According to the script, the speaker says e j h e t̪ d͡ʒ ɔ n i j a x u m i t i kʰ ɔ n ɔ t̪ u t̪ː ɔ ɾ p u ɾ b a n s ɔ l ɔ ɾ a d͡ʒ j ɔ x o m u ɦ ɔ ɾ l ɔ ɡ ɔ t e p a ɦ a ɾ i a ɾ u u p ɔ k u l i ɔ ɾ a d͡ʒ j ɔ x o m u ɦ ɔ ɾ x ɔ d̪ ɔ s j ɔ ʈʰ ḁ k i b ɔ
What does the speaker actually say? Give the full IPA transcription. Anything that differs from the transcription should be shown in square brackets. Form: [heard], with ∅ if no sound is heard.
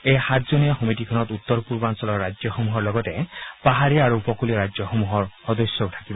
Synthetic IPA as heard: e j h [a] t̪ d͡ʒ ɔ n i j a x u m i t i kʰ ɔ n ɔ t̪ u t̪ː ɔ ɾ p u ɾ b a n s ɔ l ɔ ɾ a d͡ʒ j ɔ x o m u ɦ ɔ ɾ l ɔ ɡ ɔ t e p a ɦ a ɾ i a ɾ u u p ɔ k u l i ɔ ɾ a d͡ʒ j ɔ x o m u ɦ ɔ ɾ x ɔ d̪ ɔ s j ɔ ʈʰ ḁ k i b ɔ